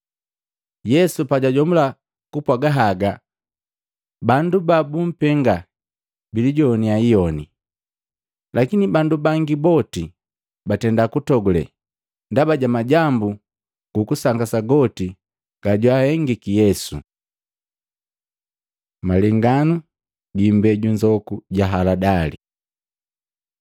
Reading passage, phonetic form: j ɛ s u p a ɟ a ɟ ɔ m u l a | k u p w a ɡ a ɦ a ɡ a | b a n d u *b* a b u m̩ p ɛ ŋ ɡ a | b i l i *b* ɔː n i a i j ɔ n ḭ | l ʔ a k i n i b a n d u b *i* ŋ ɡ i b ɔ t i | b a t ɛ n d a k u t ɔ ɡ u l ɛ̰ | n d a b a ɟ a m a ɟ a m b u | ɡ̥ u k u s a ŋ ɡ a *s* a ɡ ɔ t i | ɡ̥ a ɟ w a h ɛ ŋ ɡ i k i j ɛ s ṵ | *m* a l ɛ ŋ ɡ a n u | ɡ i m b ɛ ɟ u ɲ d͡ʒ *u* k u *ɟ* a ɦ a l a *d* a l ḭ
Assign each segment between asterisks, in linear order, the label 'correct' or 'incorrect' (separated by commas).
correct, incorrect, incorrect, correct, correct, incorrect, correct, correct